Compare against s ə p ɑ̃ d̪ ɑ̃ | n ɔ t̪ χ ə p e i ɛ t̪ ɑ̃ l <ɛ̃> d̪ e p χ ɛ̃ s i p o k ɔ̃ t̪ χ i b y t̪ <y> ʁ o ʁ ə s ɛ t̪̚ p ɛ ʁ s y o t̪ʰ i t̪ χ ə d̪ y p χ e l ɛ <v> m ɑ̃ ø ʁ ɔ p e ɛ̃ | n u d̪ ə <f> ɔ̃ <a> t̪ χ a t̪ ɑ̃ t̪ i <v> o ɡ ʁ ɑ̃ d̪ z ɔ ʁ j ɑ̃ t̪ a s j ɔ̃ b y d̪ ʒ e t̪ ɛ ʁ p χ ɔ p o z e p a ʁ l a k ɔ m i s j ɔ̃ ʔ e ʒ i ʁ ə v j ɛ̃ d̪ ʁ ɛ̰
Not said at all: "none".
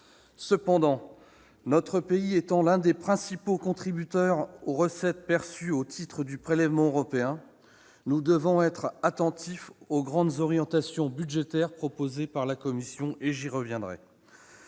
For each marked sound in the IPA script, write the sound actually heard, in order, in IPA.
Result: ɛ̃, œ, v, v, ɛ, f

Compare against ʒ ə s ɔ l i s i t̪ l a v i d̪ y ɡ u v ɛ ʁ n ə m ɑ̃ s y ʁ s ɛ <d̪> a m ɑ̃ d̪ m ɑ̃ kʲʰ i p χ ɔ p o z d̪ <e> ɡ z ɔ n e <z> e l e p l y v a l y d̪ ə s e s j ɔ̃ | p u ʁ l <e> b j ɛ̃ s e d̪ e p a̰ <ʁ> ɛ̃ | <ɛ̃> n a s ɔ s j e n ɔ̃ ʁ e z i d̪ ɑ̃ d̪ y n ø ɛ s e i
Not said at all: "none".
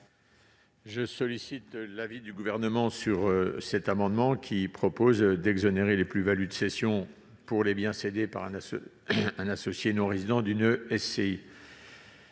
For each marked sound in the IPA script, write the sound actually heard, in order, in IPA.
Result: t̪, ɛ, ʁ, e, ʁ, ɛ̃

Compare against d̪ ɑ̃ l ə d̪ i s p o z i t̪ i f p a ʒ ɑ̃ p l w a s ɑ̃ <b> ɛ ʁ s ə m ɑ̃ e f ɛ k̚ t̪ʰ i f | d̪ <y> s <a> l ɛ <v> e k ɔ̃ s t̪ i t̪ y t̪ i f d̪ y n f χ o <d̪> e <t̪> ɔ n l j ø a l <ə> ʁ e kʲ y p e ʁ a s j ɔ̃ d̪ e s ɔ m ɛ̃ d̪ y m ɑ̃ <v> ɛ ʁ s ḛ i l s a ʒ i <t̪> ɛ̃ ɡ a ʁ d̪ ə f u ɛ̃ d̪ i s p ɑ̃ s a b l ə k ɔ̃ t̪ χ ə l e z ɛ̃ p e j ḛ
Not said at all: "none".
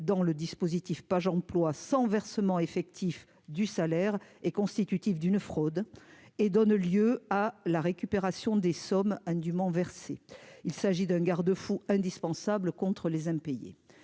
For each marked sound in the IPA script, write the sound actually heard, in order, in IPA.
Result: v, y, a, ʁ, d̪, d̪, a, v, d̪

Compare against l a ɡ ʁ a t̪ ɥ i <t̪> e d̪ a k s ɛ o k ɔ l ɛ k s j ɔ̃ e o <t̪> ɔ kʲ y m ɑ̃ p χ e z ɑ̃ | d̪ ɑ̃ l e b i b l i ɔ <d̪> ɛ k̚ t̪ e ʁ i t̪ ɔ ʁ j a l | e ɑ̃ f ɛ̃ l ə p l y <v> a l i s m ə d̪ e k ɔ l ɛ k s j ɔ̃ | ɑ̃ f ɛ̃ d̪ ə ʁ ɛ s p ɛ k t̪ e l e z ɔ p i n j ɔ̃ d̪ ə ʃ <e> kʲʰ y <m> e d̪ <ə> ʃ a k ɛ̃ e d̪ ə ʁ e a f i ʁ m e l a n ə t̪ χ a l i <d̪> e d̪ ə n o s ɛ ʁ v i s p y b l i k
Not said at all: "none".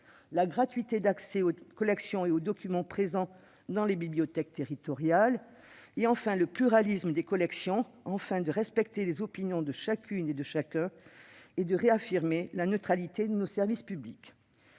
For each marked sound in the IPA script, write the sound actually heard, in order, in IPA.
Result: t̪, d̪, t̪, ʁ, a, n, ə, t̪

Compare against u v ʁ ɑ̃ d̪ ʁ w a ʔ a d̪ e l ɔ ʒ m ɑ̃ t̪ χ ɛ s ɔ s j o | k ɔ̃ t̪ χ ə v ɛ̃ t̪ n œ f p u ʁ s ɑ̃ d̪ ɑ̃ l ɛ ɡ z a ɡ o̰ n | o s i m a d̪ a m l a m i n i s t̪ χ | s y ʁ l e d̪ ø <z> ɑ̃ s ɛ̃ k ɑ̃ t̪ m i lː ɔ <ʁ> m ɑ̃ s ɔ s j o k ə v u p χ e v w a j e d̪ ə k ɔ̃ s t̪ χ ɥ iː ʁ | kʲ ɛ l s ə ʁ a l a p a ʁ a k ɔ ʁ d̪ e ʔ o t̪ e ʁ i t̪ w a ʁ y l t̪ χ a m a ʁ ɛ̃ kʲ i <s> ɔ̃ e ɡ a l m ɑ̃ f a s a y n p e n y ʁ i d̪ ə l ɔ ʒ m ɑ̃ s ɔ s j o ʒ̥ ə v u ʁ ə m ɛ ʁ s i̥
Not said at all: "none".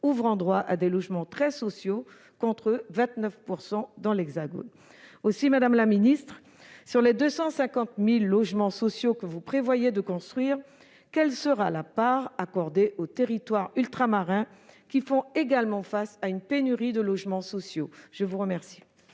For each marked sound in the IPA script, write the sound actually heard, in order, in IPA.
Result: s, ʒ, f

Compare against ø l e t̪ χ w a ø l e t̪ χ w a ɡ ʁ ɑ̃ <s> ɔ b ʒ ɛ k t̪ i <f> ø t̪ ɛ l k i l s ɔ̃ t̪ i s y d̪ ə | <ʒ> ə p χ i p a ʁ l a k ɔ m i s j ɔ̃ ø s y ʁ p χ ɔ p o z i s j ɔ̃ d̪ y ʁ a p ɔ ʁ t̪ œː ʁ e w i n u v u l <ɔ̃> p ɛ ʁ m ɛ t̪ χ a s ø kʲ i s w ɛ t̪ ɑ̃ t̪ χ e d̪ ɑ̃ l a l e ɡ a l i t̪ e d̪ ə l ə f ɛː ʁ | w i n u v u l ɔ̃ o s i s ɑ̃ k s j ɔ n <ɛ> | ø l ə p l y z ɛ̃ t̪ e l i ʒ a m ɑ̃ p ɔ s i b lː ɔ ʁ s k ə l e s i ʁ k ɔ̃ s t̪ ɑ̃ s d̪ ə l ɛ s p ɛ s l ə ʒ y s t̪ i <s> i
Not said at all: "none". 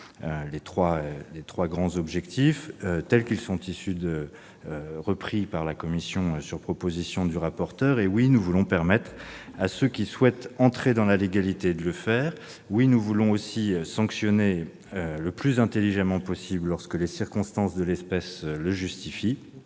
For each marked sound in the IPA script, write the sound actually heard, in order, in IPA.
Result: z, f, ʁ, ɔ̃, e, f

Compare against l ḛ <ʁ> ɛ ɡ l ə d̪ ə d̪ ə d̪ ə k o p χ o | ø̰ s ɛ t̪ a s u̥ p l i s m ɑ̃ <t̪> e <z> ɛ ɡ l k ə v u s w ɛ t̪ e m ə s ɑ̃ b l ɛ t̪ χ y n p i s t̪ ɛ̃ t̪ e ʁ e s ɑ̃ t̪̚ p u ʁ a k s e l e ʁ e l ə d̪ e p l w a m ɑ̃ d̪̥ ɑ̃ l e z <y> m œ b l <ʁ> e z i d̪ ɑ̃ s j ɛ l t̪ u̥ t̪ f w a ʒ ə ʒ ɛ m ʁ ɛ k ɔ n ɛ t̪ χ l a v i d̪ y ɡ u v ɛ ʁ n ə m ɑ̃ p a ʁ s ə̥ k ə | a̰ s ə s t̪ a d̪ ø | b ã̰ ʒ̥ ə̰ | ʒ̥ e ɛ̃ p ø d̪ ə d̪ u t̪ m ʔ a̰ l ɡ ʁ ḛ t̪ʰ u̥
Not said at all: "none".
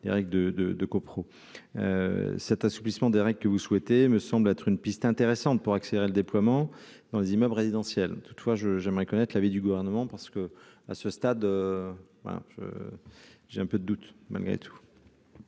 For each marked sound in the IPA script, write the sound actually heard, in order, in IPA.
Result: ʁ, d̪, ʁ, i, ʁ

